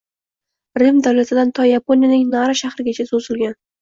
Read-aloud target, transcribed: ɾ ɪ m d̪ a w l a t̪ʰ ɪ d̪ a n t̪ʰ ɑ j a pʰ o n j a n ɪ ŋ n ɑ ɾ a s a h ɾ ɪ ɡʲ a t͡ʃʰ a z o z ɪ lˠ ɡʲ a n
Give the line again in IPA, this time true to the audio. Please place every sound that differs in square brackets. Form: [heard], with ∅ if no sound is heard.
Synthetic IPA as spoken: ɾ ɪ m d̪ a w l a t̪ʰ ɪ d̪ a n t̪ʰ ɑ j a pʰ o n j a n ɪ ŋ n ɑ ɾ a [ʃ] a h ɾ ɪ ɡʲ a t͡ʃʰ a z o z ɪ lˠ ɡʲ a n